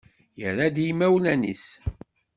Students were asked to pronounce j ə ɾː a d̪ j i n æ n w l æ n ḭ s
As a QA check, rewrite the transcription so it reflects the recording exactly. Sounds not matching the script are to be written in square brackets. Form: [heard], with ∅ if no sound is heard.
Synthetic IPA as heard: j ə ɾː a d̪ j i [m] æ [∅] w l æ n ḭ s